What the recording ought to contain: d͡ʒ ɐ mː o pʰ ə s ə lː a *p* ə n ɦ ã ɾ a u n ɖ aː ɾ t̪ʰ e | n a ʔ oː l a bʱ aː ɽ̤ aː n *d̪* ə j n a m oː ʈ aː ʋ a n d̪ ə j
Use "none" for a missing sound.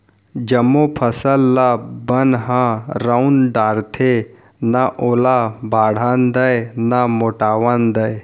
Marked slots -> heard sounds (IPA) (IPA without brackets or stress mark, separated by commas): b, d̪